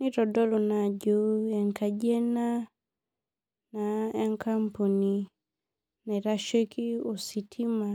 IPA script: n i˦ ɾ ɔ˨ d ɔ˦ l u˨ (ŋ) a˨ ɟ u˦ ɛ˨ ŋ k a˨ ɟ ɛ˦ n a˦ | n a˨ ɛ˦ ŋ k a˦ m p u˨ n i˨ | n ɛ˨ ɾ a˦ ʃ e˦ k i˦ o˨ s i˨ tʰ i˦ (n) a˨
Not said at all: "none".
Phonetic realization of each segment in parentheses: n, m

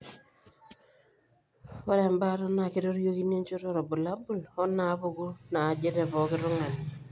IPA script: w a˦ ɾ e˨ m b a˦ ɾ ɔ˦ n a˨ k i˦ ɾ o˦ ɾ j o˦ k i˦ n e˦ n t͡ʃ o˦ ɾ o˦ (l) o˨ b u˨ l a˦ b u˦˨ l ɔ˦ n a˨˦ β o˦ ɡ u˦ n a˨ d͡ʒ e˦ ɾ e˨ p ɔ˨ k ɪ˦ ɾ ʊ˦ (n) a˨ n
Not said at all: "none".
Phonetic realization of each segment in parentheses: ɾ, ŋ

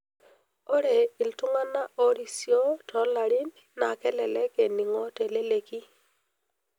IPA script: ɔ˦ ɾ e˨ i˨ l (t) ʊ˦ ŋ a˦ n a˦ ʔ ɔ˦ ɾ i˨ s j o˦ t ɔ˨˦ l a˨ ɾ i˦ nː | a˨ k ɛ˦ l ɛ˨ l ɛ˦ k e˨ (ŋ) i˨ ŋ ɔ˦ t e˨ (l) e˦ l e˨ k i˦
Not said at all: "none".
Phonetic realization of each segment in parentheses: t, n, l

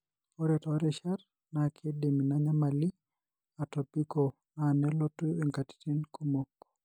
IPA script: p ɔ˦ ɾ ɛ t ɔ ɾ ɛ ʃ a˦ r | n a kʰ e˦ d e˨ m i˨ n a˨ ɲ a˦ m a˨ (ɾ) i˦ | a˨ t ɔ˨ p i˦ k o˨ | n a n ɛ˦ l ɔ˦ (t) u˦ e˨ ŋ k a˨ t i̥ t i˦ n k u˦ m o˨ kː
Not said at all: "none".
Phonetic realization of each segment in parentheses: l, t

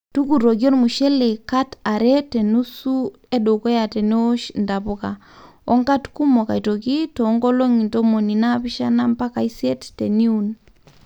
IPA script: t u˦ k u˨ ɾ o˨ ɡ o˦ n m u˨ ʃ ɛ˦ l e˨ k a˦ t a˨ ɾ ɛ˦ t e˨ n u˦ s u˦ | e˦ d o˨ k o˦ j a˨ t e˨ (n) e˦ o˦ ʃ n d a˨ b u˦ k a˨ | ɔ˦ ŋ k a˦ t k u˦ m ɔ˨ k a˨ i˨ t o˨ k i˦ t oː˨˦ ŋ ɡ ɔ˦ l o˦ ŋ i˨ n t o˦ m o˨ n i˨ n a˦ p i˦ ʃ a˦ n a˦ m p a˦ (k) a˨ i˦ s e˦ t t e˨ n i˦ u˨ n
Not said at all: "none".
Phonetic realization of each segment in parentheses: n, k

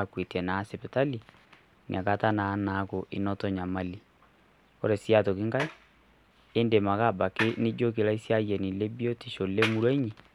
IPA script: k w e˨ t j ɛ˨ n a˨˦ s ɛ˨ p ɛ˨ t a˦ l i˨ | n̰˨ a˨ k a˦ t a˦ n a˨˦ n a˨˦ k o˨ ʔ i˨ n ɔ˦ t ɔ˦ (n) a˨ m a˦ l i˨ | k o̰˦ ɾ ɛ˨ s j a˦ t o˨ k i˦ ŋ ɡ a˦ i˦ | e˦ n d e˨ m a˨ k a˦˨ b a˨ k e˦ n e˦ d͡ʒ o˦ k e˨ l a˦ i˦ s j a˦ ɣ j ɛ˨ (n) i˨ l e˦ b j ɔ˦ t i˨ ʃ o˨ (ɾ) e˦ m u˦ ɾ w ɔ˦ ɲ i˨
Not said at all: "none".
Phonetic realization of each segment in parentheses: ɲ, n, l

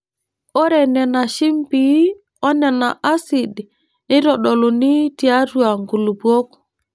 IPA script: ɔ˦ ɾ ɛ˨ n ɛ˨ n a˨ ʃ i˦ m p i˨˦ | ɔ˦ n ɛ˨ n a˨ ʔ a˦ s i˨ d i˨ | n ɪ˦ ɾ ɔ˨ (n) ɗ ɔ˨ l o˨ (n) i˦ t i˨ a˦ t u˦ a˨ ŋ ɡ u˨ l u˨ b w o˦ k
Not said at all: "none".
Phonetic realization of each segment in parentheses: none, n

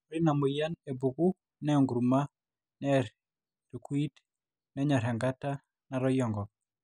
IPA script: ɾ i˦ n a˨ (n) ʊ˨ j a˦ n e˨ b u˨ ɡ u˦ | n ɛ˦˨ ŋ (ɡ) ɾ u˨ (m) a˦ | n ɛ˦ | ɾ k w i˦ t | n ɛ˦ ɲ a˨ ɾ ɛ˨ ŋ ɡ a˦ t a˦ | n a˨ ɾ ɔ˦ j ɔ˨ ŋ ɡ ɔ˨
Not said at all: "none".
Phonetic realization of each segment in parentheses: m, ɡ, m

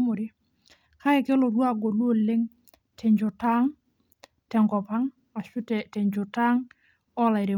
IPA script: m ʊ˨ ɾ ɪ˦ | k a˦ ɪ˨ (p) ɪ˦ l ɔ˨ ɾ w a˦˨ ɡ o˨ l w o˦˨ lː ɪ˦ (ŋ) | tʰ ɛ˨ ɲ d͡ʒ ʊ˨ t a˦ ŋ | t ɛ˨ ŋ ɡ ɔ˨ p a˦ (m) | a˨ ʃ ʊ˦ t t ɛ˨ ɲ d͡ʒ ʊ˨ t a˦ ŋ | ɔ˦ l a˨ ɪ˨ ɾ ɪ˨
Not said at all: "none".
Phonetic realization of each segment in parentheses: k, ŋ, ŋ

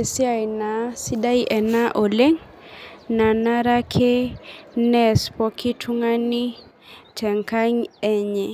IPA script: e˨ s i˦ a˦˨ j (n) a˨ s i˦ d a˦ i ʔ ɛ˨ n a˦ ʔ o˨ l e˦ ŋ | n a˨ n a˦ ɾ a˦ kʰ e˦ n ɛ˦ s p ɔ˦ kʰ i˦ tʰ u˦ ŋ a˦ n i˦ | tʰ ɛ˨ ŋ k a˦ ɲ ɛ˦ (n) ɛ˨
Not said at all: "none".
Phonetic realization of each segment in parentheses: n, ɲ

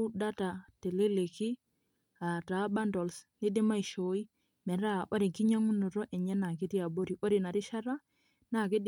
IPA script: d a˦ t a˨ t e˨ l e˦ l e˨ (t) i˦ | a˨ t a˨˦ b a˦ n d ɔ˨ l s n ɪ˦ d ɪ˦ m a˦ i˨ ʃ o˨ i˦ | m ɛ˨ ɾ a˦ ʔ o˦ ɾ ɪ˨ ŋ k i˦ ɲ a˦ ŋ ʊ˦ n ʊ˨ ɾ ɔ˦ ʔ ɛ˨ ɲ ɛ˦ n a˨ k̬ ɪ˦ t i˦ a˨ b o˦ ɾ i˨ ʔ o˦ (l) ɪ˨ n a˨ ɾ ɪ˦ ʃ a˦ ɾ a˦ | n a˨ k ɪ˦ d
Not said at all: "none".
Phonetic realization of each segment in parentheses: k, ɾ

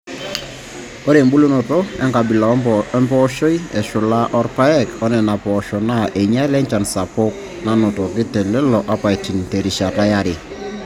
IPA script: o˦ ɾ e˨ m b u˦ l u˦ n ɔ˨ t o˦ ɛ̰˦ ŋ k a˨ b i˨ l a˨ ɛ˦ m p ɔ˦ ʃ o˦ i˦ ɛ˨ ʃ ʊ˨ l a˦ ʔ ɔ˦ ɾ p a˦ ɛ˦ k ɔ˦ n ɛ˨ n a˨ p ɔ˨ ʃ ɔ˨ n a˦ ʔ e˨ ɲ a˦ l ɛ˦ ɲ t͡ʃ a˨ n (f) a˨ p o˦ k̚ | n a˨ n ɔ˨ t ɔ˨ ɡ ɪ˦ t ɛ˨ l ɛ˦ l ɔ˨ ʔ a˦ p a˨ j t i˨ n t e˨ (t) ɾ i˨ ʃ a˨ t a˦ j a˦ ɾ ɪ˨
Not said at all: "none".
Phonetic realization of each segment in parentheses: s, none

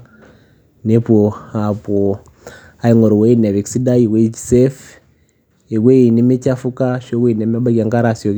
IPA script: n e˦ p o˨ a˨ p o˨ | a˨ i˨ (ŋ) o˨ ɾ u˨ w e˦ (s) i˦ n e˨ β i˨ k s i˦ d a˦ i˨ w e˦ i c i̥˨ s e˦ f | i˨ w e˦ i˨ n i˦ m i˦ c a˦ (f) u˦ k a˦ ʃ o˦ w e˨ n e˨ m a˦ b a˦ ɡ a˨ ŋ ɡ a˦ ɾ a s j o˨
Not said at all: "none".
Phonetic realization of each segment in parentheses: ŋ, none, f

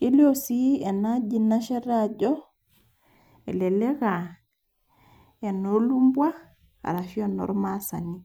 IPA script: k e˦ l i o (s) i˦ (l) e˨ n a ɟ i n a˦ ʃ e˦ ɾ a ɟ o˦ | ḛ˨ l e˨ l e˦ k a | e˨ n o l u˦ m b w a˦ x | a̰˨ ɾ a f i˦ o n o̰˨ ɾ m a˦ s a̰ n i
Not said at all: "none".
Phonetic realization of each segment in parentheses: s, none

